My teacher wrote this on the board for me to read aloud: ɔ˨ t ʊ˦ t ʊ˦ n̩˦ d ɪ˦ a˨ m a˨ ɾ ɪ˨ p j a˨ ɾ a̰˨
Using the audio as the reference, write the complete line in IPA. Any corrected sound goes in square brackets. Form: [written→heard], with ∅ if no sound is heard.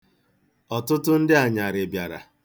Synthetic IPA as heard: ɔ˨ t ʊ˦ t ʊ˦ n̩˦ d ɪ˦ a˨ [m→ɲ] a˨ ɾ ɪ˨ [p→b] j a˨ ɾ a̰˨